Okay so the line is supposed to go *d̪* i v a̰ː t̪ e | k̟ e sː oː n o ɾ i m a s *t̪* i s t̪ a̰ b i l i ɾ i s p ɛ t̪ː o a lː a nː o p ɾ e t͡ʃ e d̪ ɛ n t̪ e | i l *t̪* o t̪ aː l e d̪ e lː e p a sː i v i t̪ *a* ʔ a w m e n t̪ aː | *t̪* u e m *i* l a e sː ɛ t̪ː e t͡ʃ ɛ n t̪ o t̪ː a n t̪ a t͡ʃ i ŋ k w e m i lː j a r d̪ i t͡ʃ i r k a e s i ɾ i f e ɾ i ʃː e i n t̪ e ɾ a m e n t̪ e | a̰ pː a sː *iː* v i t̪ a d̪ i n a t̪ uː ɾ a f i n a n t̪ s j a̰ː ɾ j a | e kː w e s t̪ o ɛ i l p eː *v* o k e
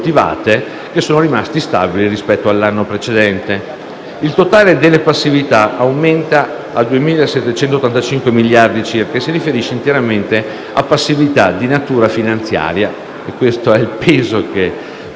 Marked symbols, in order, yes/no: no, yes, yes, yes, no, no, no, no

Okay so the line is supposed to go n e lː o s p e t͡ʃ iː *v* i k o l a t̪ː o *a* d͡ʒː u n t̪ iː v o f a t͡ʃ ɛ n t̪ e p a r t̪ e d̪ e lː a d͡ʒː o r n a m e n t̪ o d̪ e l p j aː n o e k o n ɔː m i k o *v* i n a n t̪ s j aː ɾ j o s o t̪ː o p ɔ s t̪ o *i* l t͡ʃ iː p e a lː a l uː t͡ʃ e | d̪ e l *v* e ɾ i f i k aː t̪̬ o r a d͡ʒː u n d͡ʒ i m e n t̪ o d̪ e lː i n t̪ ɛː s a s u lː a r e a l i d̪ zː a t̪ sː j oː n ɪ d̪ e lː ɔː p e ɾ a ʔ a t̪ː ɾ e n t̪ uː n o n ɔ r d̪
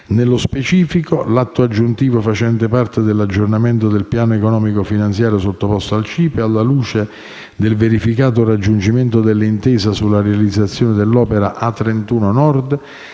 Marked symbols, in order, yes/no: no, yes, no, no, yes

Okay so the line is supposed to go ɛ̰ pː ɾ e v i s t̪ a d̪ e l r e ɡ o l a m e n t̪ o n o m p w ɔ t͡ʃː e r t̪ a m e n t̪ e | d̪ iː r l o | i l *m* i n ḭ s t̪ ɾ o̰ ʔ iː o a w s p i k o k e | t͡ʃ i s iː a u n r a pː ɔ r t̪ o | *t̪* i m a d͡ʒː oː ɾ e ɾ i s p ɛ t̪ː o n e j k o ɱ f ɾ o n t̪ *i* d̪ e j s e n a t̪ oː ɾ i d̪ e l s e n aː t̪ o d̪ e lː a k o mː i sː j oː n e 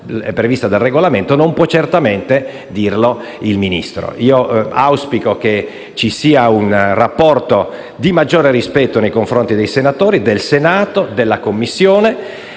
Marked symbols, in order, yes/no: yes, no, yes

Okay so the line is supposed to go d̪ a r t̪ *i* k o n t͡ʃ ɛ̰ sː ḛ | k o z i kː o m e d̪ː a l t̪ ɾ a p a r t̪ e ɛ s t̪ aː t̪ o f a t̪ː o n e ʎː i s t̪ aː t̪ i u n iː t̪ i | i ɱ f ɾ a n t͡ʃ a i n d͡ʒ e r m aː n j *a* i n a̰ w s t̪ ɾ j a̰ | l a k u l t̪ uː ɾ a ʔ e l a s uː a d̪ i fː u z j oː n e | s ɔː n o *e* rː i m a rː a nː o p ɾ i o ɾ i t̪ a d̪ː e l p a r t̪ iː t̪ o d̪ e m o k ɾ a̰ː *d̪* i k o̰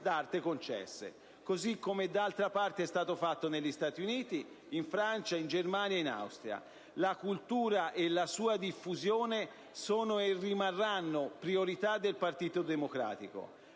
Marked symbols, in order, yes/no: no, yes, yes, no

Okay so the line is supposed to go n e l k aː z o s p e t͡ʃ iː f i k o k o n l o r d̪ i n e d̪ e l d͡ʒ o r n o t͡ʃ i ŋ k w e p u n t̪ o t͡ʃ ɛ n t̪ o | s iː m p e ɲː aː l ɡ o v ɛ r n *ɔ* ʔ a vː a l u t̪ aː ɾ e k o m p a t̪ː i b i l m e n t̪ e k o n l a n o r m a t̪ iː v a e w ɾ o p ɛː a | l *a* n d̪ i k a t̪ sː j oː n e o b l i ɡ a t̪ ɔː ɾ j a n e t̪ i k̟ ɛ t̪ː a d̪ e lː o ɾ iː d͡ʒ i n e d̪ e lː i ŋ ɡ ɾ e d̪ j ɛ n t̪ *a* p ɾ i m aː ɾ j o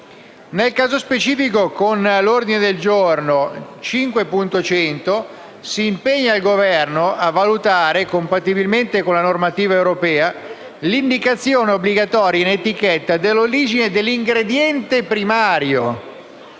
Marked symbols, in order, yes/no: no, no, no

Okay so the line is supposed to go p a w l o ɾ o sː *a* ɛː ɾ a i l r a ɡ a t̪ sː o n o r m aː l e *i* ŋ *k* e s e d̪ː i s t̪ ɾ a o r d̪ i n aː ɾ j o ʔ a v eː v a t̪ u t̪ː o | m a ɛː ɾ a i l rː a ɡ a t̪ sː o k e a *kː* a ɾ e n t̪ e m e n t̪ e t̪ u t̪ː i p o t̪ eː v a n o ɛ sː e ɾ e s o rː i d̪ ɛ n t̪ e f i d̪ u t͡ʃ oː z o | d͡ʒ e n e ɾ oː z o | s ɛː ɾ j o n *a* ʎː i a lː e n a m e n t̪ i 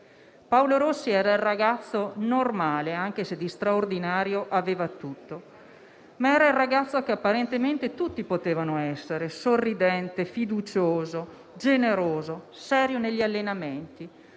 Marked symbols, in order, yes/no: no, no, yes, no, no

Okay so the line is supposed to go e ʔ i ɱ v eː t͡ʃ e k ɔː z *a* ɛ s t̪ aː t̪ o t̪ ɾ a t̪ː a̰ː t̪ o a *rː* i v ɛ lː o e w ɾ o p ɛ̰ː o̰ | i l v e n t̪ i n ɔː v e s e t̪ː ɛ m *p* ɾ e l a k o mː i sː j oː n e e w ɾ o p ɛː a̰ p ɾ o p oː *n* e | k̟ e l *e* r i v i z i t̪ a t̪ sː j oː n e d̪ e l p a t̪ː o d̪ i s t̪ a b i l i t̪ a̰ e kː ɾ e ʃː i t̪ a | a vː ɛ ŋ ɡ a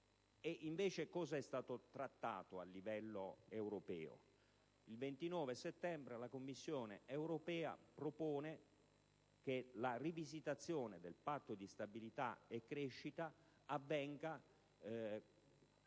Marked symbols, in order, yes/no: yes, no, no, yes, no

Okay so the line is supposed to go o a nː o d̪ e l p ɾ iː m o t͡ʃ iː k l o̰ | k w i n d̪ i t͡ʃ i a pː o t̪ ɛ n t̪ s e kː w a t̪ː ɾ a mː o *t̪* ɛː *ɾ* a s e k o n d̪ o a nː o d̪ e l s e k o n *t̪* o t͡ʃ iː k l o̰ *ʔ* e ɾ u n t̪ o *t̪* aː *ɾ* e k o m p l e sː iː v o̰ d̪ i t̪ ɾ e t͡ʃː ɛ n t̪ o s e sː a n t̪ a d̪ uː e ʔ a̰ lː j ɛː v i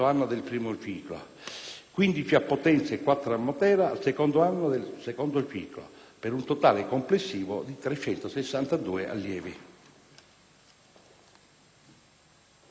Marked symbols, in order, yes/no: yes, yes, no, no, yes, no

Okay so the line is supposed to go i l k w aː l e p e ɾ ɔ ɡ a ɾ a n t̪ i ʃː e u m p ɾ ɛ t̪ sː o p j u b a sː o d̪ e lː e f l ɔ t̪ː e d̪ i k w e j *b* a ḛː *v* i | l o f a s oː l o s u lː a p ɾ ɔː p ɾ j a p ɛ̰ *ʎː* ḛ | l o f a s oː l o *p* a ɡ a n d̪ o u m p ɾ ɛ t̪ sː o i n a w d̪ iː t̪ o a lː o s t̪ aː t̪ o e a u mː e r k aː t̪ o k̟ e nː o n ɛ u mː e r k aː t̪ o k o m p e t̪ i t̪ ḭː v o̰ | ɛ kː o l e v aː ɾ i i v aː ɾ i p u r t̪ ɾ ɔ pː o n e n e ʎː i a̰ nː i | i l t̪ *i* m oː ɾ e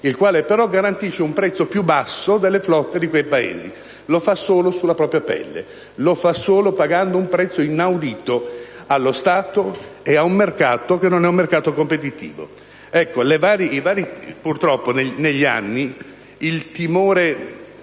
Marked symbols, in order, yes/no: no, no, no, yes, yes

